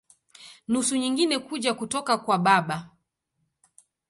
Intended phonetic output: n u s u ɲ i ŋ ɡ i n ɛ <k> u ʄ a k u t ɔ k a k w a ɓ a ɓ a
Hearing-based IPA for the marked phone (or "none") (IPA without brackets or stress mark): k